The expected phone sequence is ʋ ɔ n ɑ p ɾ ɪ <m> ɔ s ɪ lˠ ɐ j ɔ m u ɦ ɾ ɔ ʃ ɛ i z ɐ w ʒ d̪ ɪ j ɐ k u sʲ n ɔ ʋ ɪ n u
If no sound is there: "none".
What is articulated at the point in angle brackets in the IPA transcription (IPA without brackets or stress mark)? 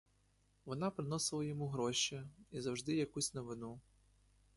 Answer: n